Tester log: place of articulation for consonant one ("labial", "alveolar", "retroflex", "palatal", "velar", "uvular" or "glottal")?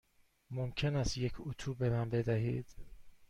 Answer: labial